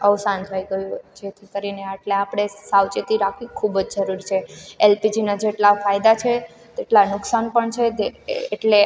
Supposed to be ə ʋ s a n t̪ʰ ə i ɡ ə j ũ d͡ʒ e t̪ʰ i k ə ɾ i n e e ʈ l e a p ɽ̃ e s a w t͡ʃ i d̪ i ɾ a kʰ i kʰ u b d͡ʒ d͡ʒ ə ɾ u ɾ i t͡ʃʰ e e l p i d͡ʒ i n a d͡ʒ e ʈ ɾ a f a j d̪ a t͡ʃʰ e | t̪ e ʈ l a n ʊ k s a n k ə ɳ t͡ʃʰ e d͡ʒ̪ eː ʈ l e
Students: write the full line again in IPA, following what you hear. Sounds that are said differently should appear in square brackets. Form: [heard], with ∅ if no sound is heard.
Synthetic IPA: ə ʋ s a n t̪ʰ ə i ɡ ə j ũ d͡ʒ e t̪ʰ i k ə ɾ i n e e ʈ l e a p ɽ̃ e s a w t͡ʃ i [t̪] i ɾ a kʰ i kʰ u b d͡ʒ d͡ʒ ə ɾ u ɾ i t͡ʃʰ e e l p i d͡ʒ i n a d͡ʒ e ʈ [l] a f a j d̪ a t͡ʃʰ e | t̪ e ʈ l a n ʊ k s a n [p] ə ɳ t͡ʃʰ e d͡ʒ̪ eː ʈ l e